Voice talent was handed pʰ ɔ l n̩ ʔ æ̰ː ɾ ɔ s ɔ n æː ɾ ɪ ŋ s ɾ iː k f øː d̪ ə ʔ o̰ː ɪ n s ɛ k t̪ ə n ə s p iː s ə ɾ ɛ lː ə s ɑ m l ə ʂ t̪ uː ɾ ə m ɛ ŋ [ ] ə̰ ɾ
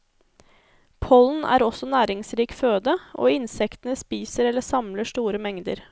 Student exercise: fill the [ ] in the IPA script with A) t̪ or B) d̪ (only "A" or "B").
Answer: B